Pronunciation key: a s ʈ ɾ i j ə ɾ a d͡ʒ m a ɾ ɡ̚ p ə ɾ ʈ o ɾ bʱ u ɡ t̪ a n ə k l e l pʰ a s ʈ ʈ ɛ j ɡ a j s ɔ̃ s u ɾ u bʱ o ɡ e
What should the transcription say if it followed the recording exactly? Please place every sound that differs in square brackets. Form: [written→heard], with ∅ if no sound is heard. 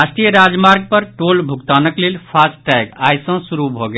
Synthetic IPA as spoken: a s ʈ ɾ i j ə ɾ a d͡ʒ m a ɾ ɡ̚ p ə ɾ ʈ o [ɾ→l] bʱ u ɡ t̪ a n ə k l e l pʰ a s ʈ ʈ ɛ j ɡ a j s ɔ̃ s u ɾ u bʱ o ɡ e